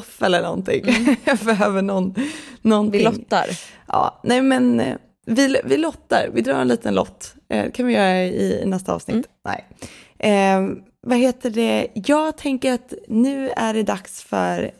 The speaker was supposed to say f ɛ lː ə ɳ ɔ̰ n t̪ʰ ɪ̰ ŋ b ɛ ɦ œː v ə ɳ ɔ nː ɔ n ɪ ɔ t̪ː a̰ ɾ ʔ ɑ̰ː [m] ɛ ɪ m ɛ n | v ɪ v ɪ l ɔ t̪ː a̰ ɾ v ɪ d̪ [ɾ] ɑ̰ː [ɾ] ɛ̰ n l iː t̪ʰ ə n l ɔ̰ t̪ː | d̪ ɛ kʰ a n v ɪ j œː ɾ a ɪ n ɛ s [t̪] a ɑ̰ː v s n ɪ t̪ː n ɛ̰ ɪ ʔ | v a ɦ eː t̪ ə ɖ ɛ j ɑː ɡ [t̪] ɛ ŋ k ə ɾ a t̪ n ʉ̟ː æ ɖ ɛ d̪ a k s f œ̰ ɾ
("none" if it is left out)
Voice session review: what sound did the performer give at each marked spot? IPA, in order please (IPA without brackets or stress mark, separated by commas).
n, ɾ, ɾ, t̪, t̪ʰ